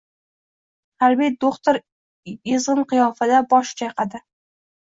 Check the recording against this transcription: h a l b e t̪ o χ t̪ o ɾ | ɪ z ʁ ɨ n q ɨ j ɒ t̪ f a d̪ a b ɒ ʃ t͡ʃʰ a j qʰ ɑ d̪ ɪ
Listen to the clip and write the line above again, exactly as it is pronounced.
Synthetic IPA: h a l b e d̪ o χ t̪ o ɾ | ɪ z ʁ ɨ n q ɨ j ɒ f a d̪ a b ɒ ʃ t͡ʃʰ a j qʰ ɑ d̪ ɪ